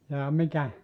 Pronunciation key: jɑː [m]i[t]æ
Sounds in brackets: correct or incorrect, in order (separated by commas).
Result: correct, incorrect